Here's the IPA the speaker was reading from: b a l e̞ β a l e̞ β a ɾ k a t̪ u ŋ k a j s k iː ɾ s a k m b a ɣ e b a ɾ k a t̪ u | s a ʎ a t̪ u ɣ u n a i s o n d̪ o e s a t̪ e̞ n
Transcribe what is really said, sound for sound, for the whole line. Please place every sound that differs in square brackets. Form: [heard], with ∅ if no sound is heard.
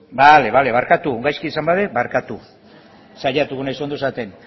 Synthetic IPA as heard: b a l e̞ β a l e̞ β a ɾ k a t̪ u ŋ [ɡ] a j s k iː [∅] s a [∅] m b a [ð] e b a ɾ k a t̪ u | s a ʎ a t̪ u ɣ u n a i s o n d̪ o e s a t̪ e̞ n